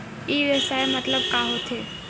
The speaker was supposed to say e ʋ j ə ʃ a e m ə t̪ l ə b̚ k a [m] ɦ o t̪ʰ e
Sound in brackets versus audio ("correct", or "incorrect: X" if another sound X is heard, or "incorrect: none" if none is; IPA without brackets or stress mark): incorrect: none